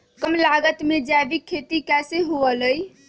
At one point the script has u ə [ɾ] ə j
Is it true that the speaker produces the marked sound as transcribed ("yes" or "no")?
no